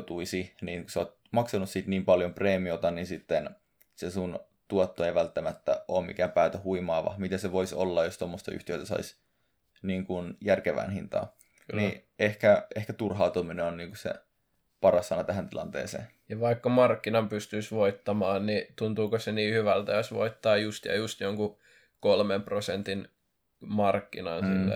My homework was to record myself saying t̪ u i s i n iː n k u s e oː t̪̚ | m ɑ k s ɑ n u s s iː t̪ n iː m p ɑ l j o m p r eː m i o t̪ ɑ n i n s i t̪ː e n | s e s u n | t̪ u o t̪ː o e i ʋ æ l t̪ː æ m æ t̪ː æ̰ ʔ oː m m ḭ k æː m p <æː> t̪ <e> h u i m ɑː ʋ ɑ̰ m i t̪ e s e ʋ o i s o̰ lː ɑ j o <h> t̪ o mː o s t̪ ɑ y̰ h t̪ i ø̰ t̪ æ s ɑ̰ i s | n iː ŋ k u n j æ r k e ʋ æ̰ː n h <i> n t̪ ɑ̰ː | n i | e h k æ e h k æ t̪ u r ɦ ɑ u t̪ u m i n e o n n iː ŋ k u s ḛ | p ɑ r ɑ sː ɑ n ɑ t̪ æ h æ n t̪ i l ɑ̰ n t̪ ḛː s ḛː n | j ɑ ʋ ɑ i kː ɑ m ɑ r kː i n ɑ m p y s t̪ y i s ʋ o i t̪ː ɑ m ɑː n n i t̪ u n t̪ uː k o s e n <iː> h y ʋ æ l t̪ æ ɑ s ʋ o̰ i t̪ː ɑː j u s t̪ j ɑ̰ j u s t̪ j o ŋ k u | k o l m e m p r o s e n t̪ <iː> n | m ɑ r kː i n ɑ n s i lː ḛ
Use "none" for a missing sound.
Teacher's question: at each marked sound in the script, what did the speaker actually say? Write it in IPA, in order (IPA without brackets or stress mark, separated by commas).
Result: æː, æ, s, i, iː, i